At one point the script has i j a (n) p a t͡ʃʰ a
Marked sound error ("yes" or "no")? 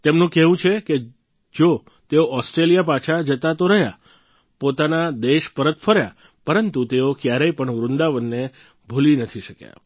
yes